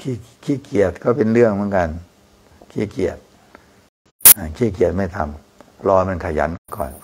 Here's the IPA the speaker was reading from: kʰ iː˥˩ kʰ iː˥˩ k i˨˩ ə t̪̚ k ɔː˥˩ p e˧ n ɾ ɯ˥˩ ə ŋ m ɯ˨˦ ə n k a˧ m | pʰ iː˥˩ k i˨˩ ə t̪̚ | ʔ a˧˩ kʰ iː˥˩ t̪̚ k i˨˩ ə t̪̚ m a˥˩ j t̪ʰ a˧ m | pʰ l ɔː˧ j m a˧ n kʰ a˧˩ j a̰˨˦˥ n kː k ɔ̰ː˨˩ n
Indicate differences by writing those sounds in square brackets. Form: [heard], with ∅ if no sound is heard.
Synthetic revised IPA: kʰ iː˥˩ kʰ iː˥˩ k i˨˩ ə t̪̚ k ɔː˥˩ p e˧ n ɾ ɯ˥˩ ə ŋ m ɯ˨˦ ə n k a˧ [n] | [kʰ] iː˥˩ k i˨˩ ə t̪̚ | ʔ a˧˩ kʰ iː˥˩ [∅] k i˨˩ ə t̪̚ m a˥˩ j t̪ʰ a˧ m | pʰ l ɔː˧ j m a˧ n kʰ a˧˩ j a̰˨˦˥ n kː k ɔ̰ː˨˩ n